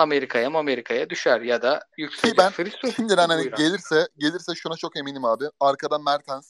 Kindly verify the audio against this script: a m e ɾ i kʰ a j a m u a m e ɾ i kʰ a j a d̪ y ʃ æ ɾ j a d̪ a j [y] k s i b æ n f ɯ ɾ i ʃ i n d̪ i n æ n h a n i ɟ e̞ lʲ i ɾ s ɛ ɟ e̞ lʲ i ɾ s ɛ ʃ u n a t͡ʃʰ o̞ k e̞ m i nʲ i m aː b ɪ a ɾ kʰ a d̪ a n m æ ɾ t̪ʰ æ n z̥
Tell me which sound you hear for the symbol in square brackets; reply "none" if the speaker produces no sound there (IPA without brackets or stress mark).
y